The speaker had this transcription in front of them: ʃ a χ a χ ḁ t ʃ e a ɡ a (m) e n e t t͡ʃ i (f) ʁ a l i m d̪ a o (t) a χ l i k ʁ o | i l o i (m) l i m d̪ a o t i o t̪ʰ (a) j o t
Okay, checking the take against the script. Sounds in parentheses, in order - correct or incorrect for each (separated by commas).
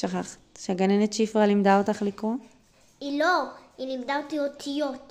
incorrect, correct, correct, incorrect, incorrect